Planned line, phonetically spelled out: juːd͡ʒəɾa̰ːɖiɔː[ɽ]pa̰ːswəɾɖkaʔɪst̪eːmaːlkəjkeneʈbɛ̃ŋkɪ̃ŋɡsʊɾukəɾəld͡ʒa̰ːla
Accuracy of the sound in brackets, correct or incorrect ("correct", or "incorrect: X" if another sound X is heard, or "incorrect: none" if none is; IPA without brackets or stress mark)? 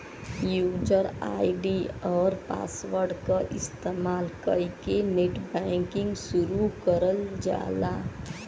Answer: incorrect: ɾ